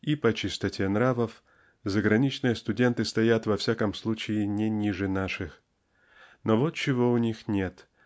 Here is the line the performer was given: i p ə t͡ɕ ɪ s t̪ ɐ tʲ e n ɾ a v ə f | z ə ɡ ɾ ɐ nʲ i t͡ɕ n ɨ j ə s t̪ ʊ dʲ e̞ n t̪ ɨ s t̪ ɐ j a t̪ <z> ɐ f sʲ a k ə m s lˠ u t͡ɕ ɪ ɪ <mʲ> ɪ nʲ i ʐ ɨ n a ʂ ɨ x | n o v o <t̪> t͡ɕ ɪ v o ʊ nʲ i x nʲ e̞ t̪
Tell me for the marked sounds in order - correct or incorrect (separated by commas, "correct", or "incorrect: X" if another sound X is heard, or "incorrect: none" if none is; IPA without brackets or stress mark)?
incorrect: v, incorrect: nʲ, correct